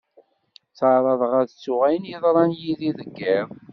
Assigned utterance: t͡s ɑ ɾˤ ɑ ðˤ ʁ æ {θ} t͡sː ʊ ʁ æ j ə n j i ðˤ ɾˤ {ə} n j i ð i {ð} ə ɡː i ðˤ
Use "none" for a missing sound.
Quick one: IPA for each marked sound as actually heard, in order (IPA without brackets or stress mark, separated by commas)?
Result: ð, ɑ, ð